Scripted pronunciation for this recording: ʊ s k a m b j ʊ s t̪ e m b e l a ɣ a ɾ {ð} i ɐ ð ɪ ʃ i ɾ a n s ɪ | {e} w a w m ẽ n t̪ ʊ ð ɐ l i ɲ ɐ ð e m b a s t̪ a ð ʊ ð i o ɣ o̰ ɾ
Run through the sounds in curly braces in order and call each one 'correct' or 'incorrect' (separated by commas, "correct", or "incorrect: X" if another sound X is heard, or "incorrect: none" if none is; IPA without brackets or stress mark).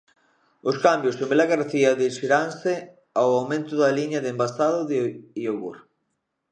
incorrect: θ, incorrect: a